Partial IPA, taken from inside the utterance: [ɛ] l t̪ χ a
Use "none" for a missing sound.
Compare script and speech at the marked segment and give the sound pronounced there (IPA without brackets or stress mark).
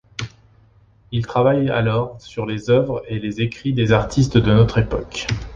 i